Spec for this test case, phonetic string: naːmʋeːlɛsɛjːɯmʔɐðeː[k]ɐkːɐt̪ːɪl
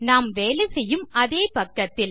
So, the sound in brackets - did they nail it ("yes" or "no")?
no